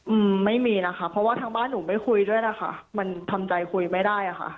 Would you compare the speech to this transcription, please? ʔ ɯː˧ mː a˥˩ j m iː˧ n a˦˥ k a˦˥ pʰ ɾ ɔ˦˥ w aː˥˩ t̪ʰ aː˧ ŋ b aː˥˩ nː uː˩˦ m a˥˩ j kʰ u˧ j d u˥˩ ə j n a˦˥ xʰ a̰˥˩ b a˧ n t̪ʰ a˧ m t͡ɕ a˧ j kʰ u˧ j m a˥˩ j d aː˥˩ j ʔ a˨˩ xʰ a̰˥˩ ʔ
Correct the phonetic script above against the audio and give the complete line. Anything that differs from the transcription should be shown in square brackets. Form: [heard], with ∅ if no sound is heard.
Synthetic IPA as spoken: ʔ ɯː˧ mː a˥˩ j m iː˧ n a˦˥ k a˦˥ pʰ ɾ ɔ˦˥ w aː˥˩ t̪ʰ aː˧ ŋ b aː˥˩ nː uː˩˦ m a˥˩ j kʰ u˧ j d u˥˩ ə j n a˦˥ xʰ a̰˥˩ [m] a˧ n t̪ʰ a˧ m t͡ɕ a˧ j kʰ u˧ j m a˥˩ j d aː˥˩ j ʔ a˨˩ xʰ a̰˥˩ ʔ